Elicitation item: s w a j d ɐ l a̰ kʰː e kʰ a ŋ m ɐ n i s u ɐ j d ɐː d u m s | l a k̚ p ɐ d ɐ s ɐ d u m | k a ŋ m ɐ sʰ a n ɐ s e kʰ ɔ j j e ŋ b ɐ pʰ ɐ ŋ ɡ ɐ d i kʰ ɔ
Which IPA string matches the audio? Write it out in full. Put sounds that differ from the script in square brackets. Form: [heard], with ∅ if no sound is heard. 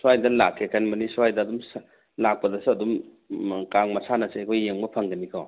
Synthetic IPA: s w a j d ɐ l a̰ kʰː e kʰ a [n] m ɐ n i s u [a] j d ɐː d u m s | l a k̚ p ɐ d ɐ s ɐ d u m | k a ŋ m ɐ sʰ a n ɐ s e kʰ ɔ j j e ŋ b ɐ pʰ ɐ ŋ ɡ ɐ [n] i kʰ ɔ